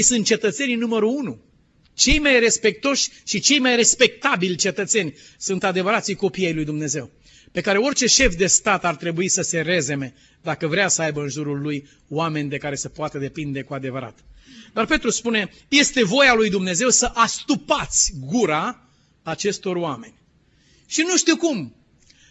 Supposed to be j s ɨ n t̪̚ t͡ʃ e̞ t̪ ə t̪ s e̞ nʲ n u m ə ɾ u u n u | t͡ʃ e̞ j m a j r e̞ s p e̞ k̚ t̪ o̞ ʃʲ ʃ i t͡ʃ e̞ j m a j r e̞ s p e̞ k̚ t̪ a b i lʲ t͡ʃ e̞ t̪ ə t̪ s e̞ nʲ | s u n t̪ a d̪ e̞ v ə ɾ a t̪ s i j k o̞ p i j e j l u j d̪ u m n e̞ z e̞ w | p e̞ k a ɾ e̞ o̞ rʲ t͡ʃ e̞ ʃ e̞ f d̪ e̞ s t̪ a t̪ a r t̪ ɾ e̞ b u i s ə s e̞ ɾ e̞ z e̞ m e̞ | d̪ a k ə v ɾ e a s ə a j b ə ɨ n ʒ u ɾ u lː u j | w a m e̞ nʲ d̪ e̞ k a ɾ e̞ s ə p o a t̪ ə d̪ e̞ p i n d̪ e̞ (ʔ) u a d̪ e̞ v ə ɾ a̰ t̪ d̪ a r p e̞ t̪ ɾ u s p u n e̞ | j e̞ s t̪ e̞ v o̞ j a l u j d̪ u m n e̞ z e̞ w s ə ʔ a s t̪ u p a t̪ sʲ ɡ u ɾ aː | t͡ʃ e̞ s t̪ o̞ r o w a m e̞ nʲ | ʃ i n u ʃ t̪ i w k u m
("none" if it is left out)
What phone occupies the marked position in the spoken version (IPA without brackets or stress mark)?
k